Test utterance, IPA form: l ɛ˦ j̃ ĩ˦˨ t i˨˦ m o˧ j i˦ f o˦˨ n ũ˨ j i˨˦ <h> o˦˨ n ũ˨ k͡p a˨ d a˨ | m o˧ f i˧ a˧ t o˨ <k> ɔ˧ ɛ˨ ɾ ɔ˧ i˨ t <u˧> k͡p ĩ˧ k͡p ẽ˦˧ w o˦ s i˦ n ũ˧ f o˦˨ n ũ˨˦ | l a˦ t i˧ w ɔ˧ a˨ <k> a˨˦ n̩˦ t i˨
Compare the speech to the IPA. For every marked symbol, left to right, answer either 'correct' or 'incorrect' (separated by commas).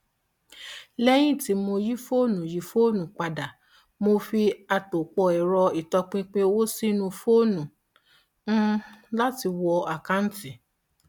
incorrect, incorrect, incorrect, correct